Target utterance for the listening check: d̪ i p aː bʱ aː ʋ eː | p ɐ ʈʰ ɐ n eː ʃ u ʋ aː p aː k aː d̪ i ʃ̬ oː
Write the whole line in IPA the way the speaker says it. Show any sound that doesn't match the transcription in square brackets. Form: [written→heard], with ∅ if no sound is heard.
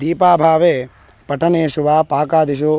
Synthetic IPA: d̪ [i→iː] p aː bʱ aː ʋ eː | p ɐ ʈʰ ɐ n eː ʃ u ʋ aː p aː k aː d̪ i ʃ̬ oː